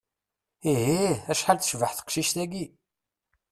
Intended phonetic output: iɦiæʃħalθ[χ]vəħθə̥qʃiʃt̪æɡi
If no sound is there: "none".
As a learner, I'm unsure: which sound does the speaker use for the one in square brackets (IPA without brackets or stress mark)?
ʃ